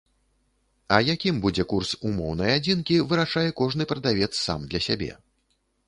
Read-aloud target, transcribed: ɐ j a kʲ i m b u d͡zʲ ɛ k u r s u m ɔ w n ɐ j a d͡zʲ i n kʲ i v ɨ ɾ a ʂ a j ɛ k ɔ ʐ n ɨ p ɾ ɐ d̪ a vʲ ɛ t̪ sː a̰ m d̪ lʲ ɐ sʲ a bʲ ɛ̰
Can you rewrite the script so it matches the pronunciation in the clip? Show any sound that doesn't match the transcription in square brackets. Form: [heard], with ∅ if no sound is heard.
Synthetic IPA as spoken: ɐ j a kʲ i m b u d͡zʲ ɛ k u r s u m ɔ w n ɐ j a d͡zʲ i n kʲ i v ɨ ɾ a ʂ a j ɛ k ɔ ʐ n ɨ p ɾ ɐ d̪ a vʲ ɛ t̪ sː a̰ m d̪ lʲ ɐ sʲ a bʲ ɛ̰